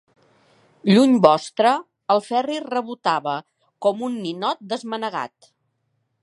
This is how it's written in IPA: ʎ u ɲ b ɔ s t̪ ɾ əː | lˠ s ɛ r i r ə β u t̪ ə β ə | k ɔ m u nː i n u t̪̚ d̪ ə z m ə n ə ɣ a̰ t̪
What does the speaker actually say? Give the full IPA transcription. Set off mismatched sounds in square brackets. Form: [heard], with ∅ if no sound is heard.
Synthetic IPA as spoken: ʎ u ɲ b ɔ s t̪ ɾ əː | lˠ [f] ɛ r i r ə β u t̪ [a] β ə | k ɔ m u nː i n [ɔ] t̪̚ d̪ ə z m ə n ə ɣ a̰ t̪